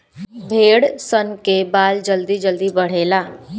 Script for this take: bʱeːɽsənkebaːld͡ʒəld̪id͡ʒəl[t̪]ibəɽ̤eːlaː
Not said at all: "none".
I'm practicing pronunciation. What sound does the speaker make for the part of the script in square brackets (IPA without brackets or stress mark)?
d̪